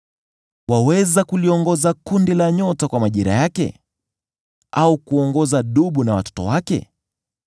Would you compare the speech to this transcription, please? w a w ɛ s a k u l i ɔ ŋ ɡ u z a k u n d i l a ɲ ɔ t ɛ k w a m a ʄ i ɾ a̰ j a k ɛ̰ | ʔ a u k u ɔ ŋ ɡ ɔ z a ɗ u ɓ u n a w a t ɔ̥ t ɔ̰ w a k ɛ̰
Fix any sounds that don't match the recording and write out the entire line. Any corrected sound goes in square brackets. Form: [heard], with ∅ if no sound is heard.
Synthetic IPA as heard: w a w ɛ [z] a k u l i ɔ ŋ ɡ [ɔ] z a k u n d i l a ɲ ɔ t [a] k w a m a ʄ i ɾ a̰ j a k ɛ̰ | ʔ a u k u ɔ ŋ ɡ ɔ z a ɗ u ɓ u n a w a t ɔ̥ t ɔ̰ w a k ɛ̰